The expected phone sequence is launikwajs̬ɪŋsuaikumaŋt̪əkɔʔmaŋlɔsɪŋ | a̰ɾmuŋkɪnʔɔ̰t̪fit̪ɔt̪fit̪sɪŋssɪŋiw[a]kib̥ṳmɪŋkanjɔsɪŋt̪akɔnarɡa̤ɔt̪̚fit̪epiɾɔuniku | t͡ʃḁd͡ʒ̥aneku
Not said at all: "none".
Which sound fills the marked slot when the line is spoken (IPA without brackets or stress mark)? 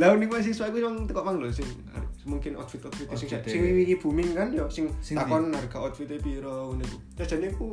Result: i